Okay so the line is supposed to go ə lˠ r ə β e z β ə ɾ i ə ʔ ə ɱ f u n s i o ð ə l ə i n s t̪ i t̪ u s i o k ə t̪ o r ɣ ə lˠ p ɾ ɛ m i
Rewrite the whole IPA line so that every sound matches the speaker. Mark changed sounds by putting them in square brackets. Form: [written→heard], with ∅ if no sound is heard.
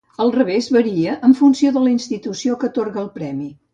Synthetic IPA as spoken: ə lˠ r ə β e z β ə ɾ i ə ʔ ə ɱ f u n s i o ð ə l ə i n s t̪ i t̪ u s i o k ə t̪ o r ɣ ə lˠ p ɾ ɛ m i